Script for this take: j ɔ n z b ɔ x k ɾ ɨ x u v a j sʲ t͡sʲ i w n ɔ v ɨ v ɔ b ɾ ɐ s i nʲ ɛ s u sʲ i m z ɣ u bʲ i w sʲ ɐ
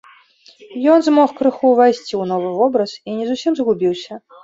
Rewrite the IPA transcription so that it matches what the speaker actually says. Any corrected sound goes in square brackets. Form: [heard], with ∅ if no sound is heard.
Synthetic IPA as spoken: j ɔ n z [m] ɔ x k ɾ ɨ x u v a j sʲ t͡sʲ i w n ɔ v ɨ v ɔ b ɾ ɐ s i nʲ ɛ [z] u sʲ i m z ɣ u bʲ i w sʲ ɐ